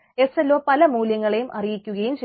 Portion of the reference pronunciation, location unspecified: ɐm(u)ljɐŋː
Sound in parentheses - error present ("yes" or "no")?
yes